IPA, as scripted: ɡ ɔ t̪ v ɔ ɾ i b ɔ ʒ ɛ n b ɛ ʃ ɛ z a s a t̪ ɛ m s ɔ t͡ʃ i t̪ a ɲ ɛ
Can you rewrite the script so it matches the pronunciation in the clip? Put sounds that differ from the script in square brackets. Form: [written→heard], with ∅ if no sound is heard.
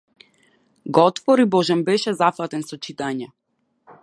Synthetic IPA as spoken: ɡ ɔ t̪ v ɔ ɾ i b ɔ ʒ ɛ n b ɛ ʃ ɛ z a [s→f] a t̪ ɛ [m→n] s ɔ t͡ʃ i t̪ a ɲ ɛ